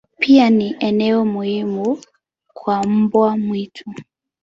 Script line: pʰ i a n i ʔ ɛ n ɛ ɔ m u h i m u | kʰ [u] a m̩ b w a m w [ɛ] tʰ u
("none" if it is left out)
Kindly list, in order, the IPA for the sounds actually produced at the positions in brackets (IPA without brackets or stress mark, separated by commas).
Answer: w, i